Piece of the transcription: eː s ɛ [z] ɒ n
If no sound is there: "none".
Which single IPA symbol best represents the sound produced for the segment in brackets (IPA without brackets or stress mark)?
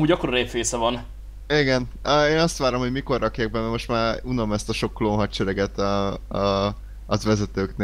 v